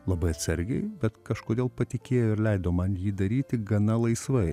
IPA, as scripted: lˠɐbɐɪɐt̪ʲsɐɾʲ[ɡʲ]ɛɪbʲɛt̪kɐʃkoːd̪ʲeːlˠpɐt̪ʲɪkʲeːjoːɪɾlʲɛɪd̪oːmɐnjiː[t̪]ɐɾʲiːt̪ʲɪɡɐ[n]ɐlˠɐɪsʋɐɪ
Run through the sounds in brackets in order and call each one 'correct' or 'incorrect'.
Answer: correct, incorrect: d̪, correct

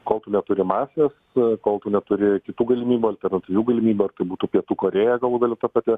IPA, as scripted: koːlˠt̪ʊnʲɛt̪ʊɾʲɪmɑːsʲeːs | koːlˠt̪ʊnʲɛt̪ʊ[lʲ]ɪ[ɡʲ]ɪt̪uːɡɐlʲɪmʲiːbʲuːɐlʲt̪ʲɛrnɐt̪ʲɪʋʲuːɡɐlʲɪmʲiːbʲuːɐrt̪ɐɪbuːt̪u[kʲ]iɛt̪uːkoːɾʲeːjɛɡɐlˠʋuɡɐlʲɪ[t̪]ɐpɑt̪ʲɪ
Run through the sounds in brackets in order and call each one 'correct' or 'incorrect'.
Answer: incorrect: ɾʲ, incorrect: kʲ, incorrect: pʲ, correct

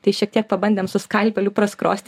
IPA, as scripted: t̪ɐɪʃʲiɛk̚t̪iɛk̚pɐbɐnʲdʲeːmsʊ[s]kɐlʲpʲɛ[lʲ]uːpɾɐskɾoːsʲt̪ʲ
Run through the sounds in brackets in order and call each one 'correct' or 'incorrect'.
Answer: correct, correct

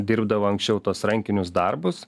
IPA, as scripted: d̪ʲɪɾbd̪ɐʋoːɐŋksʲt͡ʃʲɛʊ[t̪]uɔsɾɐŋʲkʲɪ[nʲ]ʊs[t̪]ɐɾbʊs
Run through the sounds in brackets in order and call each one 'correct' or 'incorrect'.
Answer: correct, correct, incorrect: d̪

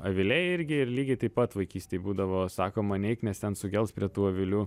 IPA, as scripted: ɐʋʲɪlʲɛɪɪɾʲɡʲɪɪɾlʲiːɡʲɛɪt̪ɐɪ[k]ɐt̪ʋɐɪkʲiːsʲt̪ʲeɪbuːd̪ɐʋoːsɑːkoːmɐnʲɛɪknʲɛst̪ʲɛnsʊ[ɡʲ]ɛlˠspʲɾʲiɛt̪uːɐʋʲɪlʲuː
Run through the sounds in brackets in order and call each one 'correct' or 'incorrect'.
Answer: incorrect: p, correct

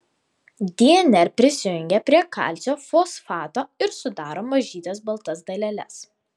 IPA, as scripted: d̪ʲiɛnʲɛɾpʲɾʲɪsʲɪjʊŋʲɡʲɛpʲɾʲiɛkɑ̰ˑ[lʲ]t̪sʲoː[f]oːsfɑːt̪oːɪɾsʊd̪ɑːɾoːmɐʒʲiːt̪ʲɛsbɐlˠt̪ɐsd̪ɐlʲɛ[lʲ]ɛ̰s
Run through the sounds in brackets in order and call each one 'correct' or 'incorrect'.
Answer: correct, correct, correct

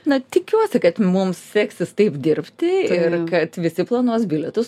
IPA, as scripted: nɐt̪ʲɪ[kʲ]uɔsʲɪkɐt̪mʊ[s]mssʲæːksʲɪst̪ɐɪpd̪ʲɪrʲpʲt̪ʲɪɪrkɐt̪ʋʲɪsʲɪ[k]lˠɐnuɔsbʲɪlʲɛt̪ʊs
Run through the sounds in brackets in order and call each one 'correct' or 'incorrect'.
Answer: correct, incorrect: none, incorrect: p

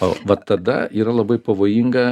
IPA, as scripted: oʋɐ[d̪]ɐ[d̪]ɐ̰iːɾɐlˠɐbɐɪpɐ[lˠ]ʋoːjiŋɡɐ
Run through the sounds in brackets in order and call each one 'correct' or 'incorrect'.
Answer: incorrect: t̪, correct, incorrect: none

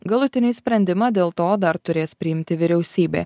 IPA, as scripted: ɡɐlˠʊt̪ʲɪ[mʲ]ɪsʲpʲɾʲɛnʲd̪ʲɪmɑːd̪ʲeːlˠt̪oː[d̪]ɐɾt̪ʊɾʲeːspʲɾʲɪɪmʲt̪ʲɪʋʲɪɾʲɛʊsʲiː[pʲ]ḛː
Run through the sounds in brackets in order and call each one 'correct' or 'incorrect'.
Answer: incorrect: nʲ, correct, incorrect: bʲ

